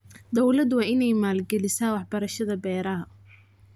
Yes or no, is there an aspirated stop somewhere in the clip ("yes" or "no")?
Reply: no